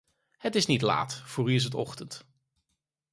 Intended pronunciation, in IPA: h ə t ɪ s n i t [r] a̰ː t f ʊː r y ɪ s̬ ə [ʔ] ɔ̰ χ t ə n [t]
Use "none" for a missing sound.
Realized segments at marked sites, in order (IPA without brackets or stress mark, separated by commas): l, t, t